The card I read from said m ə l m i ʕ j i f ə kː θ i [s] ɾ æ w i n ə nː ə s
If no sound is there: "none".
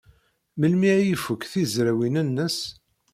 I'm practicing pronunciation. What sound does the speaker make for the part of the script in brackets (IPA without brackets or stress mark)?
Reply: z